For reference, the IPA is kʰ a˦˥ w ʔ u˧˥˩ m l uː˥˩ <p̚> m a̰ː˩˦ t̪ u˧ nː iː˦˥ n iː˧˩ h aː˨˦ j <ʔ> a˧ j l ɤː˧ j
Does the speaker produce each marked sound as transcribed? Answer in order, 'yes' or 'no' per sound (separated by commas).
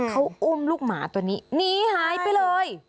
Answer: no, no